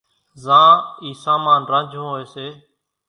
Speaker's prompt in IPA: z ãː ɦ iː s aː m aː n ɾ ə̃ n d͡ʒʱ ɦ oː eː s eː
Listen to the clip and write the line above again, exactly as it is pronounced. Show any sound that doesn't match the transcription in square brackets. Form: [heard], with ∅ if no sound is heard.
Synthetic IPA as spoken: z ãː [∅] iː s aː m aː n ɾ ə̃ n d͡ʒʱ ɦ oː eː s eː